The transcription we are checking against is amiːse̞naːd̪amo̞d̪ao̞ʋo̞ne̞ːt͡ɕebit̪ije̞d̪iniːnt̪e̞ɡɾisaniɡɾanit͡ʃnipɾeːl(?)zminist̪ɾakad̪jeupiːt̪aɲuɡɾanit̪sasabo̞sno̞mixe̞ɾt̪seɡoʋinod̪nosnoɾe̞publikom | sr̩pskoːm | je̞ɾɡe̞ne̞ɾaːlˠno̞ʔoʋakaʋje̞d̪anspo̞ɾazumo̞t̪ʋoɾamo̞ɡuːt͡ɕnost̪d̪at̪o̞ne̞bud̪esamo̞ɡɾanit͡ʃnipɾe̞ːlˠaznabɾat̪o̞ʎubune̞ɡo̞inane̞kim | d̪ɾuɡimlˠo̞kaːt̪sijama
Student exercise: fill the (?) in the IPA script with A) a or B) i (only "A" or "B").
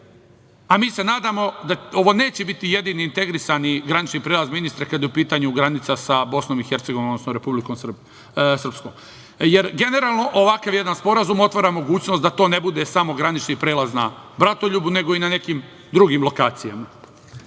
A